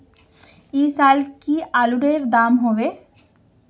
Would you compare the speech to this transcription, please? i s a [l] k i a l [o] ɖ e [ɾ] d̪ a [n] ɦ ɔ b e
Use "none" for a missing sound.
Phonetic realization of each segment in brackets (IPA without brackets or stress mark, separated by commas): l, u, ɾ, m